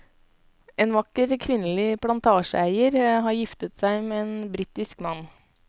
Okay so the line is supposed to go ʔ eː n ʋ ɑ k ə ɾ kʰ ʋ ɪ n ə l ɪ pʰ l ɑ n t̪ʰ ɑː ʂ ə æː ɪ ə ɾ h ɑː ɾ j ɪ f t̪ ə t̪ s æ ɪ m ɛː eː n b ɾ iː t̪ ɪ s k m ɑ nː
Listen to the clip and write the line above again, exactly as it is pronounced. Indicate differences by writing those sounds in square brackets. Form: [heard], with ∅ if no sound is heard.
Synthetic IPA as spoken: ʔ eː n ʋ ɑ k ə ɾ kʰ ʋ ɪ n ə l ɪ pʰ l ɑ n t̪ʰ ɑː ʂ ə [æ] ɪ ə ɾ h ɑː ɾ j ɪ f t̪ ə t̪ s æ ɪ m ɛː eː n b ɾ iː t̪ ɪ s k m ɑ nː